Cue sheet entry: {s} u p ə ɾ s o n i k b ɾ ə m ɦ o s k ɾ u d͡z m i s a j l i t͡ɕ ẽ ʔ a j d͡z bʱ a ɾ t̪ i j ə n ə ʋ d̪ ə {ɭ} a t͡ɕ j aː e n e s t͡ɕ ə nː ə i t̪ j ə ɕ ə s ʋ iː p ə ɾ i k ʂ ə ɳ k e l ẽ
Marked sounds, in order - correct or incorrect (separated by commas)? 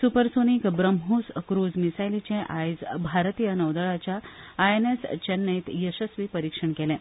correct, correct